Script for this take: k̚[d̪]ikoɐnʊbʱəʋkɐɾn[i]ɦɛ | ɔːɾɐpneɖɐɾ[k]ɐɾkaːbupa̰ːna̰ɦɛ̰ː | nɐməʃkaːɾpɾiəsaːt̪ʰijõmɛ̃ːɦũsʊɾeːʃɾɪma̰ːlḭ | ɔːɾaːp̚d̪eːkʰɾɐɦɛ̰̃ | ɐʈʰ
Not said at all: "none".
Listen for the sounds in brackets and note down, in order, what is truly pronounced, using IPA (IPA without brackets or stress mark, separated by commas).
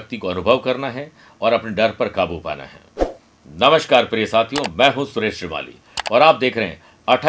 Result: t̪, a, p